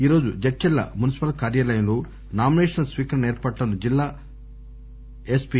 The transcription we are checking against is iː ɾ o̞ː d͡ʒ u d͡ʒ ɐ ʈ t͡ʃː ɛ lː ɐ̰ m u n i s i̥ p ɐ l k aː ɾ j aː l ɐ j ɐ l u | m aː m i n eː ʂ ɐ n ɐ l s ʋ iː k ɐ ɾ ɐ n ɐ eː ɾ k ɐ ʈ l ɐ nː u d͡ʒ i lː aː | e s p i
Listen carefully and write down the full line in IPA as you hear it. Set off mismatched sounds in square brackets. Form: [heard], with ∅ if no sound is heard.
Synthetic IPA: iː ɾ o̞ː d͡ʒ u d͡ʒ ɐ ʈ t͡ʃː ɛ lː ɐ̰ m u n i s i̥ p ɐ l k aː ɾ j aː l ɐ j ɐ l u | [n] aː m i n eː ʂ ɐ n ɐ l s ʋ iː k ɐ ɾ ɐ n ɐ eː ɾ [p] ɐ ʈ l ɐ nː u d͡ʒ i lː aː | e s p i